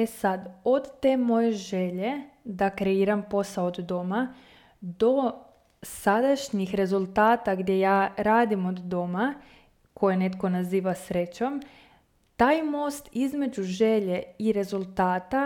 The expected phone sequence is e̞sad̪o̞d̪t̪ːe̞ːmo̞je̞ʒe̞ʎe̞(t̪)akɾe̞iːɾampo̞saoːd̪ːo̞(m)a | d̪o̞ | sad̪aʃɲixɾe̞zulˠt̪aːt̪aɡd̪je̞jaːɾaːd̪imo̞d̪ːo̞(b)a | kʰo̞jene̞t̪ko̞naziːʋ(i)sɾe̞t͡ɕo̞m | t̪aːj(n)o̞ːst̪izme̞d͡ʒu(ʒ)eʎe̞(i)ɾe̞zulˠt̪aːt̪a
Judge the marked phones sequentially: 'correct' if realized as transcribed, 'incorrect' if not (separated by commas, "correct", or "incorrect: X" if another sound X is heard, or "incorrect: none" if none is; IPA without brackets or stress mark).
incorrect: d̪, correct, incorrect: m, incorrect: a, incorrect: m, correct, correct